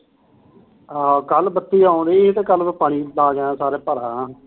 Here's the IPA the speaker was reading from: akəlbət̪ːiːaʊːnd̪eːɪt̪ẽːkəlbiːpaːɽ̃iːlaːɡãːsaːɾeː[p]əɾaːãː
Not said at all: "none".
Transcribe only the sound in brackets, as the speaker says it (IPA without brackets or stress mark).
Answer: p